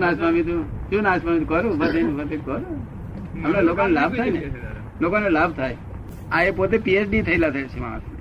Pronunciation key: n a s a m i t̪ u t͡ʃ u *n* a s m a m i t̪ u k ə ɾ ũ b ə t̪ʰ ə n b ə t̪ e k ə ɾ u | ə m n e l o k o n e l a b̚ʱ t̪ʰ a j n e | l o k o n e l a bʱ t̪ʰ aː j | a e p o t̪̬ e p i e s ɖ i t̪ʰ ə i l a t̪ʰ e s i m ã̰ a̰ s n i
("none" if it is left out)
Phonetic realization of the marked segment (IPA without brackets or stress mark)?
n